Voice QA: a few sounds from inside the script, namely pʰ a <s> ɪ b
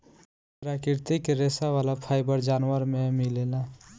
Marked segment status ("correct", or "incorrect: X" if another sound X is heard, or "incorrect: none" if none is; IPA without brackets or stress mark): incorrect: none